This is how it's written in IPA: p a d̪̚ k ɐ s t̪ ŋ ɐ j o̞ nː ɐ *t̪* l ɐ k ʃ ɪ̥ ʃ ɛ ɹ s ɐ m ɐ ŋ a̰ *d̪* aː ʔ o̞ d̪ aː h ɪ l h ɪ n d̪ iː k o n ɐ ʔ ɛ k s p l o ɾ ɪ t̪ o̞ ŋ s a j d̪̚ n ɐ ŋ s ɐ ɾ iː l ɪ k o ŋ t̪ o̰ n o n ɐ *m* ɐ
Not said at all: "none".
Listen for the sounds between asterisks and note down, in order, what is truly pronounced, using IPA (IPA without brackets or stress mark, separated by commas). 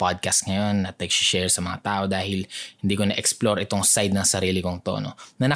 t̪, t̪, n